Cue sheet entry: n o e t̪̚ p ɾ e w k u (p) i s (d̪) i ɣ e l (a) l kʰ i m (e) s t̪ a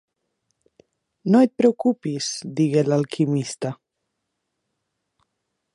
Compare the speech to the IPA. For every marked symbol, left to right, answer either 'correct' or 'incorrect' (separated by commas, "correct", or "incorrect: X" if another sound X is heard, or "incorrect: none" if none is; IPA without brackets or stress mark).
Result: correct, correct, correct, incorrect: i